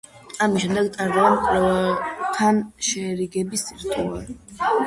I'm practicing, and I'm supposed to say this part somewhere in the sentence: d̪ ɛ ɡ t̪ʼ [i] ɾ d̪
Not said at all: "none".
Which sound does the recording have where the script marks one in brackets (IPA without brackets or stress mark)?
a